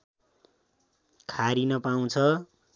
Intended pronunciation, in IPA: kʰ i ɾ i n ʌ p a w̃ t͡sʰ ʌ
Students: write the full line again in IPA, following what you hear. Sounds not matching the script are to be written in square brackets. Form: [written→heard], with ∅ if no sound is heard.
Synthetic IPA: kʰ [i→a] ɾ i n ʌ p a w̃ t͡sʰ ʌ